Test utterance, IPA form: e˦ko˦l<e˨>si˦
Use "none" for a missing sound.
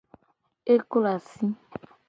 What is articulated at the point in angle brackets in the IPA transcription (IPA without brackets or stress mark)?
a˨